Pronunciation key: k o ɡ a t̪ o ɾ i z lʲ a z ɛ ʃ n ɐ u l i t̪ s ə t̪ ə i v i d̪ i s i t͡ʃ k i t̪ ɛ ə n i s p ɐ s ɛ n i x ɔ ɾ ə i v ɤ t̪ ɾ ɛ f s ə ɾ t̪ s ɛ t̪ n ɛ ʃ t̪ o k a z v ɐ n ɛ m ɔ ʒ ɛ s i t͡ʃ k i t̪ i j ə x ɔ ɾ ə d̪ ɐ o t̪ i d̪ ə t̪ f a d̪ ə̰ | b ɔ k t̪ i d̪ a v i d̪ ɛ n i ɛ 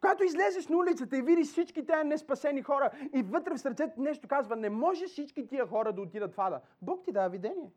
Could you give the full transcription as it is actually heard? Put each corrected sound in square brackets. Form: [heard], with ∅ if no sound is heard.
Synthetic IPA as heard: k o ɡ a t̪ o [∅] i z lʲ [ɛ] z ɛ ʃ n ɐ u l i t̪ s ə t̪ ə i v i d̪ i s i t͡ʃ k i t̪ ɛ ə n [ɛ] s p ɐ s ɛ n i x ɔ ɾ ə i v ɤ t̪ ɾ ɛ f s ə ɾ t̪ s ɛ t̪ n ɛ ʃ t̪ o k a z v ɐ n ɛ m ɔ ʒ ɛ s i t͡ʃ k i t̪ i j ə x ɔ ɾ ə d̪ ɐ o t̪ i d̪ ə t̪ f a d̪ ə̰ | b ɔ k t̪ i d̪ a v i d̪ ɛ n i ɛ